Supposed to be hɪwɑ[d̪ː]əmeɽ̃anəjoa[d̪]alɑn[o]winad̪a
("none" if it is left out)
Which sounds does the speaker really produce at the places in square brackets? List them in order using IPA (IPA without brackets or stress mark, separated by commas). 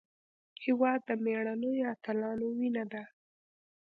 d̪ː, t̪, o